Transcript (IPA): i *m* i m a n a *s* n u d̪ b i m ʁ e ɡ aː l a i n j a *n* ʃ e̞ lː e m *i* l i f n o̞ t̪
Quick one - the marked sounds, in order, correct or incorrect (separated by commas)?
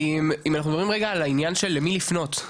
correct, incorrect, correct, correct